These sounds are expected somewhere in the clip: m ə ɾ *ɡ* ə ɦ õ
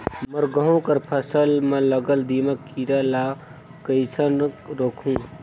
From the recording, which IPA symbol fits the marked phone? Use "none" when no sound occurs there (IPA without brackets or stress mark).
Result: ɡ